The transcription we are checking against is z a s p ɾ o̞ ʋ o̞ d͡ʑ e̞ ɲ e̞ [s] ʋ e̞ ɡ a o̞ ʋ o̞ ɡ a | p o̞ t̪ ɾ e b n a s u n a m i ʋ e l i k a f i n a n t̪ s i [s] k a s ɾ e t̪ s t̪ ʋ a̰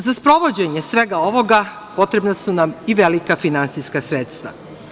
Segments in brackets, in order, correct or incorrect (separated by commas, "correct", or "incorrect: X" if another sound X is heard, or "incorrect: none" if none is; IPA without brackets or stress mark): correct, correct